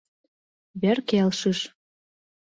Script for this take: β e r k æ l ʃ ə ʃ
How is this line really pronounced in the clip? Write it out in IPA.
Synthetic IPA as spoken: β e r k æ l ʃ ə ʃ